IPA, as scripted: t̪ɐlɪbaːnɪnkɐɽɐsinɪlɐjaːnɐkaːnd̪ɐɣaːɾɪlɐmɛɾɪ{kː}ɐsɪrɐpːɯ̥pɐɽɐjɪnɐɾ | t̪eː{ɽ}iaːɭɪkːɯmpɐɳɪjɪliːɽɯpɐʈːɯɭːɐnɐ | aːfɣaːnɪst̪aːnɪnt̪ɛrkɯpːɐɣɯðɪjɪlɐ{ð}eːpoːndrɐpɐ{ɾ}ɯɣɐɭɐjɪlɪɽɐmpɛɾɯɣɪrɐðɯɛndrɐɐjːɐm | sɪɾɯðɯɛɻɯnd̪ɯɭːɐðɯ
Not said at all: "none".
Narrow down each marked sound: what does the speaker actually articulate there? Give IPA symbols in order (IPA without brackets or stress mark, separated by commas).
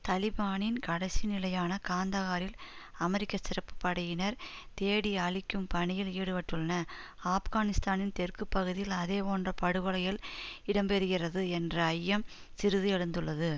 kː, ɽ, ð, ɽ